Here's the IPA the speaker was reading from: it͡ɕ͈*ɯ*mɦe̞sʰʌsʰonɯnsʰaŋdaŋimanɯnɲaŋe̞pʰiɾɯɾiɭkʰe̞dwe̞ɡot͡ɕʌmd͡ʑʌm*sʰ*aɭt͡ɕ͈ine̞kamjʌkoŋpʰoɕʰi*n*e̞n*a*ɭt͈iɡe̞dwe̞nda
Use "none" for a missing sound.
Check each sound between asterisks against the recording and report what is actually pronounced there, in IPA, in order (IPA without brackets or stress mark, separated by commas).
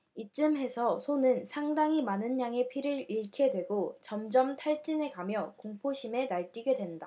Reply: ɯ, tʰ, m, a